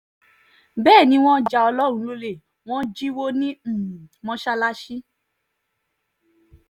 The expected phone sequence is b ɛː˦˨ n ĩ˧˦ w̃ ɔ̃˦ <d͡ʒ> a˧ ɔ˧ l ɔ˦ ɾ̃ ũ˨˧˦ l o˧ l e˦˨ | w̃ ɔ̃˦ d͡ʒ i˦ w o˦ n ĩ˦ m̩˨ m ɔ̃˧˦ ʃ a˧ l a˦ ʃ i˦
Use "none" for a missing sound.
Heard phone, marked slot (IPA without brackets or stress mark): d͡ʒ